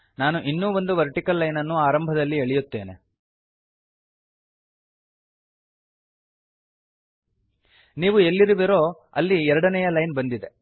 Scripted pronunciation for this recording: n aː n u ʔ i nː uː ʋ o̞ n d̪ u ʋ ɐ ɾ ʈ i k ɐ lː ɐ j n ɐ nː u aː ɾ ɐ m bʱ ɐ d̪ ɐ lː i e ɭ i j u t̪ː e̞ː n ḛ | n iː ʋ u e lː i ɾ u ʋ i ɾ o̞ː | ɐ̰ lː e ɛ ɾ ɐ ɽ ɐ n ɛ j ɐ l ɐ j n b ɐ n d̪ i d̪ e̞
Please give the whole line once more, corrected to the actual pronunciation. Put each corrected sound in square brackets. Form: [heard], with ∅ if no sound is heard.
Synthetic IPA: n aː n u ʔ i nː uː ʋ o̞ n d̪ u ʋ ɐ ɾ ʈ i k ɐ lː ɐ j n ɐ nː u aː ɾ ɐ m bʱ ɐ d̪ ɐ lː i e ɭ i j u t̪ː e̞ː n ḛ | n iː ʋ u e lː i ɾ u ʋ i ɾ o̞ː | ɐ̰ lː [i] ɛ ɾ ɐ ɽ ɐ n ɛ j ɐ l ɐ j n b ɐ n d̪ i d̪ e̞